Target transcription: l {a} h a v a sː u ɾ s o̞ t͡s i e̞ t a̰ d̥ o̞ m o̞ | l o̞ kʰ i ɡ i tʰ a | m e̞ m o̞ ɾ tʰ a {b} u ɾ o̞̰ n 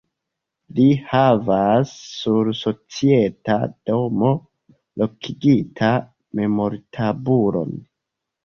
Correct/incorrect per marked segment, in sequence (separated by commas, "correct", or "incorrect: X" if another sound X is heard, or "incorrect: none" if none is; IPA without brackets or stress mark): incorrect: i, correct